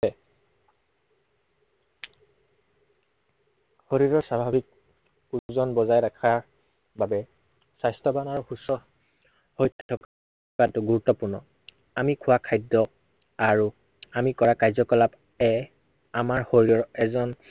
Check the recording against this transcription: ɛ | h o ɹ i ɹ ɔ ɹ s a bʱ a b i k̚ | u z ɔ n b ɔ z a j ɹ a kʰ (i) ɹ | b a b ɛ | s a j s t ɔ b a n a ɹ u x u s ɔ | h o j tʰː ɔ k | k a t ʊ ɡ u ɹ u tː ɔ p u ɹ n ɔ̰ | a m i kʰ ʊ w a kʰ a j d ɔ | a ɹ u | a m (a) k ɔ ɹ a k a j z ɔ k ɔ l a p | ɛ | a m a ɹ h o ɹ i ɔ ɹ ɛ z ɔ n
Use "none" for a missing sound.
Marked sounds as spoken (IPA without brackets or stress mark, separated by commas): a, i